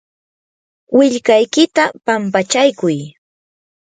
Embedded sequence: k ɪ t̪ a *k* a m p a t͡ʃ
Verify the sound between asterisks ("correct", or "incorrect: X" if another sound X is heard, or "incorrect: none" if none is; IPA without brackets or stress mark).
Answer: incorrect: p